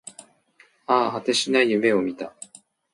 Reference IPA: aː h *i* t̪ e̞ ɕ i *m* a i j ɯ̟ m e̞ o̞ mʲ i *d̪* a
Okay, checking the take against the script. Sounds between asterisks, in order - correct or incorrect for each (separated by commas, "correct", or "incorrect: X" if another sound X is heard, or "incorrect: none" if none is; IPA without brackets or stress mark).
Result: incorrect: a, incorrect: n, incorrect: t̪